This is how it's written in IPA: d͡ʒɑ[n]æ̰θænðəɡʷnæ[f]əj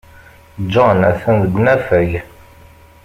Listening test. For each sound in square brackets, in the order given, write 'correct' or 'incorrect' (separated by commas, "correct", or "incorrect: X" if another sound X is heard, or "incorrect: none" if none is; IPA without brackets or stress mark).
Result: correct, correct